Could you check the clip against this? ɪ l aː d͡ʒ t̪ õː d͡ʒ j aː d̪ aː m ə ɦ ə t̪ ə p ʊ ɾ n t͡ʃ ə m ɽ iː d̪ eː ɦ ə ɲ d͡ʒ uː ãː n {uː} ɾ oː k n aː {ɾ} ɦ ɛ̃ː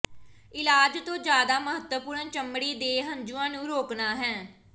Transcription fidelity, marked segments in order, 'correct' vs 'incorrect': incorrect: ũː, incorrect: none

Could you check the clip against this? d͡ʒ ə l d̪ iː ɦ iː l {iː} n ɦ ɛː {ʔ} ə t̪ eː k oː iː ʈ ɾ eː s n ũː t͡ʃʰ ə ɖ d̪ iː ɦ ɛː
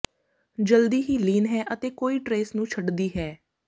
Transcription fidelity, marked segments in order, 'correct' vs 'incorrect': correct, correct

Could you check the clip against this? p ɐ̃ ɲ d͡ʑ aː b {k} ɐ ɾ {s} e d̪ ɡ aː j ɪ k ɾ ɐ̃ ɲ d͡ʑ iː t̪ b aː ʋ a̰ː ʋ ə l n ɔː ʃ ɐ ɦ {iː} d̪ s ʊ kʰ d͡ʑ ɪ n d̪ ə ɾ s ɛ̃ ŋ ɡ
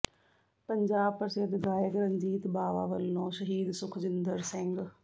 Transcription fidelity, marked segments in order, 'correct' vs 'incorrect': incorrect: p, correct, correct

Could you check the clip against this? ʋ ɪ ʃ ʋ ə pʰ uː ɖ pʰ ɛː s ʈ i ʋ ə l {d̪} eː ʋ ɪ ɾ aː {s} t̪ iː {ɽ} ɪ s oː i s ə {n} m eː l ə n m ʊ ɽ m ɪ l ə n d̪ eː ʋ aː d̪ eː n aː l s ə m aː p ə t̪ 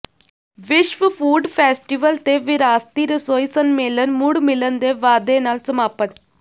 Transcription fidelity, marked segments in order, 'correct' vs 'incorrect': incorrect: t̪, correct, incorrect: ɾ, correct

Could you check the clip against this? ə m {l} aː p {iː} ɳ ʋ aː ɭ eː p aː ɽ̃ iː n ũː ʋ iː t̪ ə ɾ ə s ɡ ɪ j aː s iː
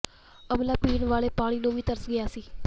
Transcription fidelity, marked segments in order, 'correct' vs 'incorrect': correct, correct

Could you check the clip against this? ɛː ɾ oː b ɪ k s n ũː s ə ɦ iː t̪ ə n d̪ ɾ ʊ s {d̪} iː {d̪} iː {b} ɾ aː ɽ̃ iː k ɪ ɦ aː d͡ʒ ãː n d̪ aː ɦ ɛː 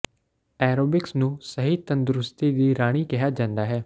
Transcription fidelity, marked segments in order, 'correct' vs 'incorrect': incorrect: t̪, correct, incorrect: none

